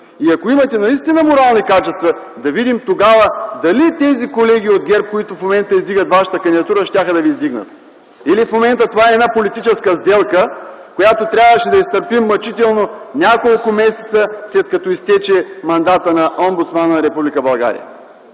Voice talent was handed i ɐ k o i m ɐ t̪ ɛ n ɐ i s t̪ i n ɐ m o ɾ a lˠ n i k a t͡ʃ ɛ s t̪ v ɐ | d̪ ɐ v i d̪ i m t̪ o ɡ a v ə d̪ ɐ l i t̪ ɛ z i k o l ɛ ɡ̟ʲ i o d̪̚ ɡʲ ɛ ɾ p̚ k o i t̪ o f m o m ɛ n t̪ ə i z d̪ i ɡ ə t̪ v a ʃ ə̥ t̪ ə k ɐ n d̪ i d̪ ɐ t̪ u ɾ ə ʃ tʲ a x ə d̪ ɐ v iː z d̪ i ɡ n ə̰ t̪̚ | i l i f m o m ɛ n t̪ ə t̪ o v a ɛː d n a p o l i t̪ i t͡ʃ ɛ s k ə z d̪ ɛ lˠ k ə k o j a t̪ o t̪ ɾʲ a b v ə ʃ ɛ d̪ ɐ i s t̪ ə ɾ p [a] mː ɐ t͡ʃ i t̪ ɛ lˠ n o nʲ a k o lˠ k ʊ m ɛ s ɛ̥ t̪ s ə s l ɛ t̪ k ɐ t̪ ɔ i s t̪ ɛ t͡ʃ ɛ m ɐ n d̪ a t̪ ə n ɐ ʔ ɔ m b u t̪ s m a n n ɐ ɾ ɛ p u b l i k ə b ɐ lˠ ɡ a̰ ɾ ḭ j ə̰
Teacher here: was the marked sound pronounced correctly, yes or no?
no